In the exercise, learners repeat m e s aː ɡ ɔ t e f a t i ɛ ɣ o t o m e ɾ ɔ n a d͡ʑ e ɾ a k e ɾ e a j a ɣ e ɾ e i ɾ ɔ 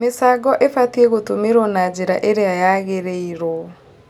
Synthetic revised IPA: m e s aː ɡ ɔ ʔ e f a t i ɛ ɣ o t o m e ɾ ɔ n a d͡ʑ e ɾ a ʔ e ɾ e a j a ɣ e ɾ e i ɾ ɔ